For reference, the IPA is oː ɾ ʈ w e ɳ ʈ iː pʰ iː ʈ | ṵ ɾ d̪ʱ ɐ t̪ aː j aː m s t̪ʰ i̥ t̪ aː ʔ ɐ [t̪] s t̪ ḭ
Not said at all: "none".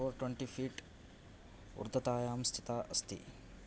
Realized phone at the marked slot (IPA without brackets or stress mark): none